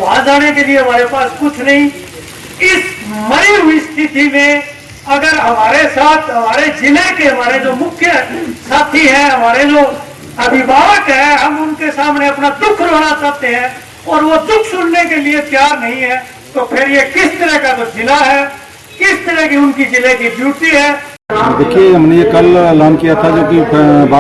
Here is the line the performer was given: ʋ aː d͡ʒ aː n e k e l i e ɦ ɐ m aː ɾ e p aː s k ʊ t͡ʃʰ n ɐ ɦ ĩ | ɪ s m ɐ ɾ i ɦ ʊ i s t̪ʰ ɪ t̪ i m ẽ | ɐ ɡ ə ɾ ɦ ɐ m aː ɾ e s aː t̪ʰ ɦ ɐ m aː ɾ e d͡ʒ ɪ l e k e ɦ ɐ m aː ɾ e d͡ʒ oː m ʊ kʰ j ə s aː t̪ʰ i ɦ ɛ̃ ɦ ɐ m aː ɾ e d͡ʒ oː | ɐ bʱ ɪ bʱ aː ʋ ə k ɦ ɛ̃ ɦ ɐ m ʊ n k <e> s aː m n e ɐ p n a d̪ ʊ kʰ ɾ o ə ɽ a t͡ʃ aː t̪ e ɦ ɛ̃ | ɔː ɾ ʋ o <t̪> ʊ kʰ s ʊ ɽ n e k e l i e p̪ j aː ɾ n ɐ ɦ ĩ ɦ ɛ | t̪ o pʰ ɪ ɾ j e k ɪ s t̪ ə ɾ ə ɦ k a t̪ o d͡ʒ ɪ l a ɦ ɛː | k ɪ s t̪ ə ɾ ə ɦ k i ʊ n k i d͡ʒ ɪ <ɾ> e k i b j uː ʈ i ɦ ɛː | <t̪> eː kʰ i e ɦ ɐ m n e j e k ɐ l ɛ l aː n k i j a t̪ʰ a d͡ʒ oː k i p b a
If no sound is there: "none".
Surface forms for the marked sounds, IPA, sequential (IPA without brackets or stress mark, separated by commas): e, d̪, l, d̪